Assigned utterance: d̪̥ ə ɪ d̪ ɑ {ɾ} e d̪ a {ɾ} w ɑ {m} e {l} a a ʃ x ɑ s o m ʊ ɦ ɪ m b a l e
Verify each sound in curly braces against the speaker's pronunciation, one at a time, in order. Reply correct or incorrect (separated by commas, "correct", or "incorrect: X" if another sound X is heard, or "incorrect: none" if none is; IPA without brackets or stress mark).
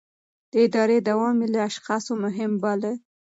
correct, incorrect: none, correct, correct